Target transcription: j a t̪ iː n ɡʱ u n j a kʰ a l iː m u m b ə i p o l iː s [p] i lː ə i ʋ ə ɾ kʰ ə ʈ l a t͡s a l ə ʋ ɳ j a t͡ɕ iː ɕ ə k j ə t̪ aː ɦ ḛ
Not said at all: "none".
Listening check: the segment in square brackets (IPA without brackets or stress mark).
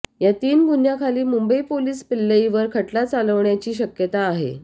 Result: p